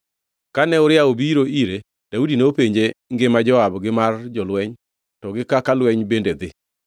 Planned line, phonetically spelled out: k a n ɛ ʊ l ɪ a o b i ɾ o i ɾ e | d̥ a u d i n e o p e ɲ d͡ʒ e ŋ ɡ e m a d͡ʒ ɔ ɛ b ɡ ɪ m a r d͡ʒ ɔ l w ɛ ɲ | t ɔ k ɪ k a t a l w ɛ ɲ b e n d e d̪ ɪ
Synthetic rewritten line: k a n ɛ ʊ ɾ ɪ a o b i ɾ o i ɾ e | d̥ a u d i n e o p e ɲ d͡ʒ e ŋ ɡ e m a d͡ʒ ɔ a b ɡ ɪ m a r d͡ʒ ɔ l w ɛ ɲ | t ɔ ɡ ɪ k a k a l w ɛ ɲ b e n d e d̪ ɪ